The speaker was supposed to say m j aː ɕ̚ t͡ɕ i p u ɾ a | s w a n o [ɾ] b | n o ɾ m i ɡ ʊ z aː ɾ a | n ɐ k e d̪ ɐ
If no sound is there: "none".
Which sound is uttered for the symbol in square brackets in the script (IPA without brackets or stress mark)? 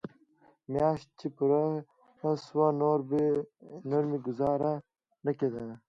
ɾ